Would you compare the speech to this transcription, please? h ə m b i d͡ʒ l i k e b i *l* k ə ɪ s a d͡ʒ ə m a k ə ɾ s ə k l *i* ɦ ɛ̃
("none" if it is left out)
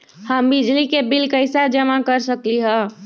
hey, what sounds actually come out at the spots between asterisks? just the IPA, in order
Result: l, i

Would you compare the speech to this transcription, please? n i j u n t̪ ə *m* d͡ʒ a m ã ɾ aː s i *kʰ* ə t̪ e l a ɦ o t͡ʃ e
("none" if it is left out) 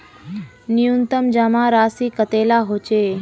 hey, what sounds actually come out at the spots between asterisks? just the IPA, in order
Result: m, k

